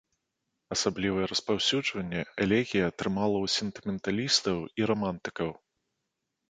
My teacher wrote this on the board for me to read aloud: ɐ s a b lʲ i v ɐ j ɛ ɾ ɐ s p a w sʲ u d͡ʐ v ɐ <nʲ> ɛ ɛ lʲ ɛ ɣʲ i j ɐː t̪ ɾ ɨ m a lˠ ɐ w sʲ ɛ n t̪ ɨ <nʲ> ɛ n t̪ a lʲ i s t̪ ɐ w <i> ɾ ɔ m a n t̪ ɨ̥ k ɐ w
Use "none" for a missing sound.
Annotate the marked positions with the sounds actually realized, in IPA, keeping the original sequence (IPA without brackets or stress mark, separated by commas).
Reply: nʲː, mʲ, i